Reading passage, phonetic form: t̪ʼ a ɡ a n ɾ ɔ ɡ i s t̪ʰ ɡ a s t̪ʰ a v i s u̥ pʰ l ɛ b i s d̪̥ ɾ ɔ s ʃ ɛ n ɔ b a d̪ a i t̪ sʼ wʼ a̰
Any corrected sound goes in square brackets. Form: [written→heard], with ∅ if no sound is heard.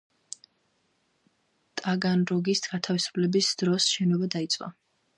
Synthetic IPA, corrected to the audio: t̪ʼ a ɡ a n ɾ ɔ ɡ i s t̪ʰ ɡ a [s→∅] t̪ʰ a v i s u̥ pʰ l ɛ b i s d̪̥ ɾ ɔ s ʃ ɛ n ɔ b a d̪ a i t̪ sʼ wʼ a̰

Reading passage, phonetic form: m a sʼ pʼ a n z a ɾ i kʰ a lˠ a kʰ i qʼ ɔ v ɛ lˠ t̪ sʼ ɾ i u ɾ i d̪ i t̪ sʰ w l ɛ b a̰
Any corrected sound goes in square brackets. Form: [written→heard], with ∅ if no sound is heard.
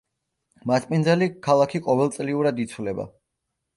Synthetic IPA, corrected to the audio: m a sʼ pʼ [a→i] n z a [ɾ→l] i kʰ a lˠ a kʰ i qʼ ɔ v ɛ lˠ t̪ sʼ [ɾ→l] i u ɾ [i→a] d̪ i t̪ sʰ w l ɛ b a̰

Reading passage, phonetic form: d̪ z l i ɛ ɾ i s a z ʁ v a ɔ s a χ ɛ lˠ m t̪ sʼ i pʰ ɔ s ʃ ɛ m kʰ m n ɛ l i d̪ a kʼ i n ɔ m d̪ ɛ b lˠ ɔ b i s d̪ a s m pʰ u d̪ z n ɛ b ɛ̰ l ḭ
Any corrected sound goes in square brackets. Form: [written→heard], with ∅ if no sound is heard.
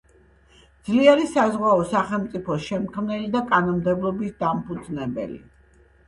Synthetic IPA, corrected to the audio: d̪ z l i ɛ ɾ i s a z ʁ [v→w] a ɔ s a χ ɛ lˠ m t̪ sʼ i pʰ ɔ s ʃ ɛ m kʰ m n ɛ l i d̪ a kʼ [i→a] n ɔ m d̪ ɛ b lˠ ɔ b i s d̪ a [s→∅] m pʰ u d̪ z n ɛ b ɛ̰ l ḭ

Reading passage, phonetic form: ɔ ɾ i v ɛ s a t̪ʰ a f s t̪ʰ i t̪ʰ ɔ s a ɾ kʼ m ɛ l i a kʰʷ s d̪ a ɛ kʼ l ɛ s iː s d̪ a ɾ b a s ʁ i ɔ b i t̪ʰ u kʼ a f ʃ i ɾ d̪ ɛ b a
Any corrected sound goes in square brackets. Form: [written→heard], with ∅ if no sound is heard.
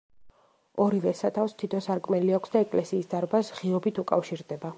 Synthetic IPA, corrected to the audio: ɔ ɾ i v ɛ s a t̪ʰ a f s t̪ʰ i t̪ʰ ɔ s a ɾ kʼ m ɛ l i a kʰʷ s d̪ a ɛ kʼ l ɛ s iː s d̪ a ɾ b a s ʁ i ɔ b i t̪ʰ u kʼ a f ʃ i ɾ d̪ ɛ b a

